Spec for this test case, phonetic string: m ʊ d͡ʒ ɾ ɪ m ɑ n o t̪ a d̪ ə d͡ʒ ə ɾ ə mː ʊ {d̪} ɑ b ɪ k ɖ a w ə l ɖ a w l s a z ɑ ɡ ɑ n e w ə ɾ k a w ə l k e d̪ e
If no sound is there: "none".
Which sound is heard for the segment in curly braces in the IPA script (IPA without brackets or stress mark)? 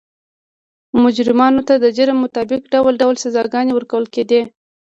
t̪